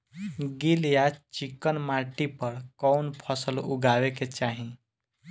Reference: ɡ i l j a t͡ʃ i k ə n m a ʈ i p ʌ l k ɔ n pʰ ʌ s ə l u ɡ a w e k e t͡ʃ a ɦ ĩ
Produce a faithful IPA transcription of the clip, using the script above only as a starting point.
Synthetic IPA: ɡ i l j a t͡ʃ i k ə n m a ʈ i p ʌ ɾ k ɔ n pʰ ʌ s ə l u ɡ a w e k e t͡ʃ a ɦ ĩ